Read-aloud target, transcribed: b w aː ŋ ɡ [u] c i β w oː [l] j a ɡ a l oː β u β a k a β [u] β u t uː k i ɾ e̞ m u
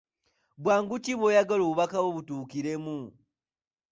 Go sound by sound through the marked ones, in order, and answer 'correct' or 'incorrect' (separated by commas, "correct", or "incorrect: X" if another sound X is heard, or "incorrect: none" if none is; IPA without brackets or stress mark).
correct, incorrect: none, incorrect: o